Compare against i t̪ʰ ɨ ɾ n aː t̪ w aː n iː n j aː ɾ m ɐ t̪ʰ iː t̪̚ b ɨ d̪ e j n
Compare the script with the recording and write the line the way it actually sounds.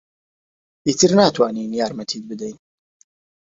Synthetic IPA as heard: i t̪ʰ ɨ ɾ n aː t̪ w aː n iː n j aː ɾ m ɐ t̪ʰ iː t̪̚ b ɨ d̪ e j n